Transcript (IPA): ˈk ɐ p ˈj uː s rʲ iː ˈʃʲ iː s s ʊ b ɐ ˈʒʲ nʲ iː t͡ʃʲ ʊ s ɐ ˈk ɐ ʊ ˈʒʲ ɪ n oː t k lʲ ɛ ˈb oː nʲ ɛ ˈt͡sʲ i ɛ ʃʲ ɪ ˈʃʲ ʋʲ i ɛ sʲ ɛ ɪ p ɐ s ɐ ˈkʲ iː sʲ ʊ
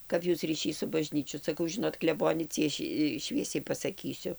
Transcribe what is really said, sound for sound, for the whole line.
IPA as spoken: ˈk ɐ p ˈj uː s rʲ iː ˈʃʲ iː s s ʊ b ɐ ˈʒʲ nʲ iː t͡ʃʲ ʊ s ɐ ˈk ɐ ʊ ˈʒʲ ɪ n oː t k lʲ ɛ ˈb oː nʲ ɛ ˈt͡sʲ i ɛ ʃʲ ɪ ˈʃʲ ʋʲ i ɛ sʲ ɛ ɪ p ɐ s ɐ ˈkʲ iː sʲ ʊ